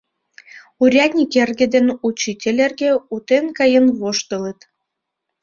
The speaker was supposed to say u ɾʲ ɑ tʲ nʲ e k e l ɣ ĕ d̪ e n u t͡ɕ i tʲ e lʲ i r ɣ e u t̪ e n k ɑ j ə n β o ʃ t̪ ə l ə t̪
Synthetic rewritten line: u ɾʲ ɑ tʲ nʲ i k e r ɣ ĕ d̪ e n u t͡ɕ i tʲ e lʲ e r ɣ e u t̪ e n k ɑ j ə n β o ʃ t̪ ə l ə t̪